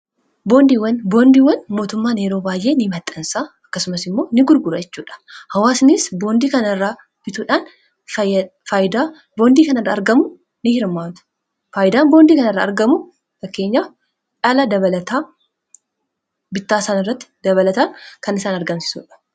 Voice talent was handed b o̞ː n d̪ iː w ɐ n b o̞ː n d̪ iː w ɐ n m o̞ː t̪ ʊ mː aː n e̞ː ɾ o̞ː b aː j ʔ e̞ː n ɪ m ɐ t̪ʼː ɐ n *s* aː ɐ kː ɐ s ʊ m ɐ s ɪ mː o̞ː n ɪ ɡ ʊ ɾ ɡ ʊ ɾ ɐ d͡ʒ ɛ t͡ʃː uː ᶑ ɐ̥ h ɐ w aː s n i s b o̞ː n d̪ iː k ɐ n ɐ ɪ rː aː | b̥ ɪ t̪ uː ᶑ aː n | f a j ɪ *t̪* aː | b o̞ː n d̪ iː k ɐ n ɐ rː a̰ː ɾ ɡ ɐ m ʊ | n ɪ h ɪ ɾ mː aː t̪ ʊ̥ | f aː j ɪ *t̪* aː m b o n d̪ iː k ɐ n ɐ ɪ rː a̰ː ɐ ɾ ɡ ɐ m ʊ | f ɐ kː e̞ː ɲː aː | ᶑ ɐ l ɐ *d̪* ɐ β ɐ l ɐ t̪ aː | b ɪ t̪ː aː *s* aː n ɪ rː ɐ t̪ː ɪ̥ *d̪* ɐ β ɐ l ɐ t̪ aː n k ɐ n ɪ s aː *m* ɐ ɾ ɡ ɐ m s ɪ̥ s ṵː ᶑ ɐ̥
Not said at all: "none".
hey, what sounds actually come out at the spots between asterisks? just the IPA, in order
s, d̪, d̪, d̪, s, d̪, n

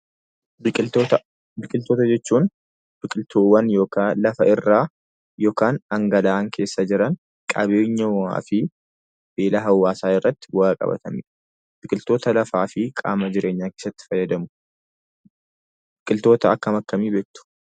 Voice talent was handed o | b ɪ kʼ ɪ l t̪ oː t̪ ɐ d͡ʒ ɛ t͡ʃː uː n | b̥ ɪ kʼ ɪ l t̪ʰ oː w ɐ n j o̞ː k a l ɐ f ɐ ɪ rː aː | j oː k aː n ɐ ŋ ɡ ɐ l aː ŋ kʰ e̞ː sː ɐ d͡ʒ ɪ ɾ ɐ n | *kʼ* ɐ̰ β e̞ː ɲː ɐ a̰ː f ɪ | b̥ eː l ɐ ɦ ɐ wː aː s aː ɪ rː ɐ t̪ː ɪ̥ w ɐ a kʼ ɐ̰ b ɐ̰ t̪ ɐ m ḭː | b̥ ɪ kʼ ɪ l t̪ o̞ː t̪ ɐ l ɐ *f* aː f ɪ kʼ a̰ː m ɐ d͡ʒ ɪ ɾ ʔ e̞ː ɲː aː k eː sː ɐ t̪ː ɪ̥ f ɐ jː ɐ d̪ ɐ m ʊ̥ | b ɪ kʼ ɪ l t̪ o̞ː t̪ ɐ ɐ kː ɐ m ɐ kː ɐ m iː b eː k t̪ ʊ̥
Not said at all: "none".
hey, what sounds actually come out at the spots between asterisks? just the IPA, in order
kʼ, f

